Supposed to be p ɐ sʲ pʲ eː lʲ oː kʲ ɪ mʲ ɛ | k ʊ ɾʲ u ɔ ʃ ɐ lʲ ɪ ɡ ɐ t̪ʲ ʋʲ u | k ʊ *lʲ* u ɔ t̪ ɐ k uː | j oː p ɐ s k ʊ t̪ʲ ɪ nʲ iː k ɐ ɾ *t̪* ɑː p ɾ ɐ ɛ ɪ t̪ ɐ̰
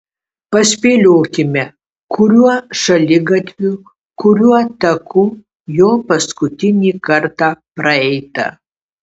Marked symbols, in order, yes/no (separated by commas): no, yes